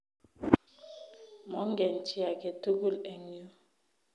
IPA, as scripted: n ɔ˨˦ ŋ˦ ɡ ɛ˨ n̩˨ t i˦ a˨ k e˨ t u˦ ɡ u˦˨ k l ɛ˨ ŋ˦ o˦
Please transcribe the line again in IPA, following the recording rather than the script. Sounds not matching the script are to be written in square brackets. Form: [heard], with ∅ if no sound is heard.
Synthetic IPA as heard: [m] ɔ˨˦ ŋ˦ ɡ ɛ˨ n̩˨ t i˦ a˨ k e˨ t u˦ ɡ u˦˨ [∅] l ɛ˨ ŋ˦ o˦